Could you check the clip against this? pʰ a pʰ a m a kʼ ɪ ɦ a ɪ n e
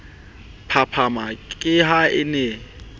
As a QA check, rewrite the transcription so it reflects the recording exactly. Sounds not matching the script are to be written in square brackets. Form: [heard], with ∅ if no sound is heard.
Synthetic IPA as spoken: pʰ a pʰ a m a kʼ ɪ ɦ a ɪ n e